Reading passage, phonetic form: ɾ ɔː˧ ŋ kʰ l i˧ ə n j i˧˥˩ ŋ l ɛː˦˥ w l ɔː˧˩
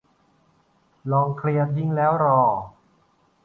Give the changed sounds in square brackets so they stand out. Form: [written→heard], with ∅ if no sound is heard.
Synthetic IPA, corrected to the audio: [ɾ→l] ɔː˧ ŋ kʰ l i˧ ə n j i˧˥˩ ŋ l ɛː˦˥ w [l→ɾ] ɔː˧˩